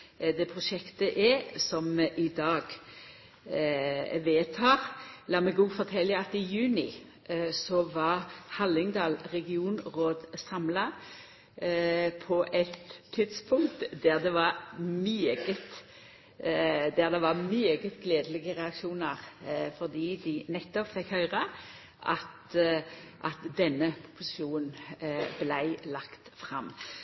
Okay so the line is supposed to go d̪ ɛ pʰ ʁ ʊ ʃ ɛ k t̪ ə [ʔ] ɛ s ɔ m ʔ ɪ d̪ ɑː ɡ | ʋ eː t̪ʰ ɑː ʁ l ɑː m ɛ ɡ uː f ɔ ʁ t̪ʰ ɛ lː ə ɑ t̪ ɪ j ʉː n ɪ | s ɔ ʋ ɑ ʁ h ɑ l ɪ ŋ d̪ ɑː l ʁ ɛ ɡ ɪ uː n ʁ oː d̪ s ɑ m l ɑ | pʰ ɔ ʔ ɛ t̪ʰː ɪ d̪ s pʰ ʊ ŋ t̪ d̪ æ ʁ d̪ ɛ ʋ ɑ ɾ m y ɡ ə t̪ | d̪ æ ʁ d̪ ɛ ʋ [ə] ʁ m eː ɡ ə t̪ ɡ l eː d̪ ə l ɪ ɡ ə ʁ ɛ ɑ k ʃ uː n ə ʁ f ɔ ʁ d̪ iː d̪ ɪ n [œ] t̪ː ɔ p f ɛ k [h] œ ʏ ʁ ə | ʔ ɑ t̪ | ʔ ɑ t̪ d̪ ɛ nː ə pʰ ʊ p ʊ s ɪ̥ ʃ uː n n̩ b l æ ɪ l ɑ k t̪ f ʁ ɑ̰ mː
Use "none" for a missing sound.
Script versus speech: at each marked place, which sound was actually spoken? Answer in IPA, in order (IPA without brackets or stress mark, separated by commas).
ʔ, ɑ, ɛ, h